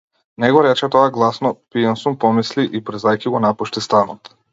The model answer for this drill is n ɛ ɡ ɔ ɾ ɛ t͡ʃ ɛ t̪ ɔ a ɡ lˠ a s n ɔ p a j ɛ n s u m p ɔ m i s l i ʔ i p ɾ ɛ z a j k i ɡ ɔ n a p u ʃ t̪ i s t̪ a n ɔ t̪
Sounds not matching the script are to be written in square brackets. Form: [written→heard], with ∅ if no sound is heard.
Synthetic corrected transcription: n ɛ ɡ ɔ ɾ ɛ t͡ʃ ɛ t̪ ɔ a ɡ lˠ a s n ɔ p [a→i] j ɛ n s u m p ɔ m i s l i ʔ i p ɾ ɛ z a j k i ɡ ɔ n a p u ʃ t̪ i s t̪ a n ɔ t̪